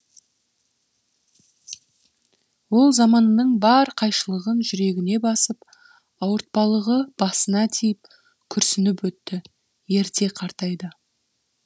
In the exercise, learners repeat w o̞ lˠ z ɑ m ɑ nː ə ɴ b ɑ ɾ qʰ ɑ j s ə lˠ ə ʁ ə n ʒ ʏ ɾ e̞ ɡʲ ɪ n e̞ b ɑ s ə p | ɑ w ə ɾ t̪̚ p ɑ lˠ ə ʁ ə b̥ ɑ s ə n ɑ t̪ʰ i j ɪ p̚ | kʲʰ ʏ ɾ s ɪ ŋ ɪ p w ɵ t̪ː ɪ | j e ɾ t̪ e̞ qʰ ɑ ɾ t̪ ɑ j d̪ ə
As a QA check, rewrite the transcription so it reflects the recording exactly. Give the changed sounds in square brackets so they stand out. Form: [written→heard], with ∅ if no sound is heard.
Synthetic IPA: w o̞ lˠ z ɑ m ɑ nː ə ɴ b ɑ ɾ qʰ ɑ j [s→ʃ] ə lˠ ə ʁ ə n ʒ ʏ ɾ e̞ ɡʲ ɪ n e̞ b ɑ s ə p | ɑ w ə ɾ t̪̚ p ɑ lˠ ə ʁ ə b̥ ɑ s ə n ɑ t̪ʰ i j ɪ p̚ | kʲʰ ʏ ɾ s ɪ [ŋ→n] ɪ p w ɵ t̪ː ɪ | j e ɾ t̪ e̞ qʰ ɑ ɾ t̪ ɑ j d̪ ə